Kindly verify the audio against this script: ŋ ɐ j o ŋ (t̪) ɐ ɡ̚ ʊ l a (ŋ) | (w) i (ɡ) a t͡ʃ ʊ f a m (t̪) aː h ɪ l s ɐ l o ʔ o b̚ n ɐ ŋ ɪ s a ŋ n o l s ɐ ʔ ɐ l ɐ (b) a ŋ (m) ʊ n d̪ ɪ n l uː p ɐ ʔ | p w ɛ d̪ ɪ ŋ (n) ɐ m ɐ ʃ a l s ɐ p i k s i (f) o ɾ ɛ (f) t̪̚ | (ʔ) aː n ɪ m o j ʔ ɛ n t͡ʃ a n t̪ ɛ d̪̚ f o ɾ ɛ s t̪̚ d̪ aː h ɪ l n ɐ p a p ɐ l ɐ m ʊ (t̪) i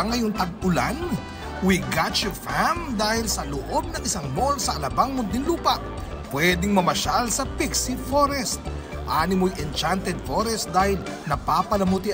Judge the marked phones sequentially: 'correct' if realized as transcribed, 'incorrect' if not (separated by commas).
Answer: correct, incorrect, correct, correct, incorrect, correct, correct, incorrect, correct, incorrect, correct, correct